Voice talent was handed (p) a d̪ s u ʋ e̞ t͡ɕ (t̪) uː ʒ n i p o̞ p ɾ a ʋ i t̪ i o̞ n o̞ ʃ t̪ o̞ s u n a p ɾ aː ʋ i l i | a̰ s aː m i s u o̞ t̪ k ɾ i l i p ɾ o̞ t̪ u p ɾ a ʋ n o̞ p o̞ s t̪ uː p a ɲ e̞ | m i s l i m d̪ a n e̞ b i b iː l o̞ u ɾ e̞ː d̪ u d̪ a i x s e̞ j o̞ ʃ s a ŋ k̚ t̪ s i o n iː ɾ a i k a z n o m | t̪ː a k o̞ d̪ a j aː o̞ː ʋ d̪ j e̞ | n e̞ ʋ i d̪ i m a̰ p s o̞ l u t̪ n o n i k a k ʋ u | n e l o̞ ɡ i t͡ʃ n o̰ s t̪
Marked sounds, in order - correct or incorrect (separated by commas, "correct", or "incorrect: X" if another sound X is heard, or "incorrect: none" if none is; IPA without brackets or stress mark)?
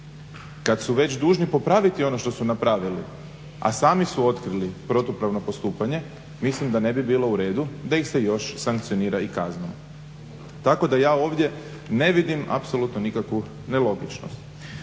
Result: incorrect: k, incorrect: d̪